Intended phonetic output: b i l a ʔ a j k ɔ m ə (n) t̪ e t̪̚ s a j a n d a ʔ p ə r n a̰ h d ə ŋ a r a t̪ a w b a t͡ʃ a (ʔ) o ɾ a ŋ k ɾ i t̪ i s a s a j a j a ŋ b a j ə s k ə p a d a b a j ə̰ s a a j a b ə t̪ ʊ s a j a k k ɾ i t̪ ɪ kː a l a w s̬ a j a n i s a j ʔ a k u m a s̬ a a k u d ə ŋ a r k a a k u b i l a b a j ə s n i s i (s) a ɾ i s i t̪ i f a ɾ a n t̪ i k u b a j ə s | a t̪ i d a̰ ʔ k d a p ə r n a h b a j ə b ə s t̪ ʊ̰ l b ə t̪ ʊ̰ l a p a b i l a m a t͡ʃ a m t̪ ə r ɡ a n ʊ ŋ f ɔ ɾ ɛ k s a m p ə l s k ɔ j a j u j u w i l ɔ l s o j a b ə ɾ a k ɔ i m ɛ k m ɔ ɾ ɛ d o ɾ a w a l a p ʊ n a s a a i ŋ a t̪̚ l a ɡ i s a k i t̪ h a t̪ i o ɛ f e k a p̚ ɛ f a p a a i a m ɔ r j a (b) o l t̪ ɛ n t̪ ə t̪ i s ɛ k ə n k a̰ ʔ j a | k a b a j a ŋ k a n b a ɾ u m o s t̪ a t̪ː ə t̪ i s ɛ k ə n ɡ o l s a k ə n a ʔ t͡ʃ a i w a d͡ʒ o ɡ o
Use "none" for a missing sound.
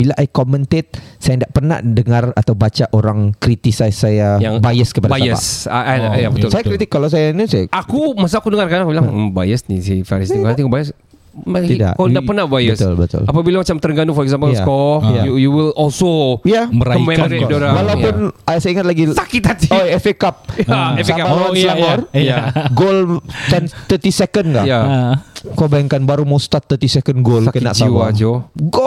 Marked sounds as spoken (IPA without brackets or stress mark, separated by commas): n, ʔ, f, ɡ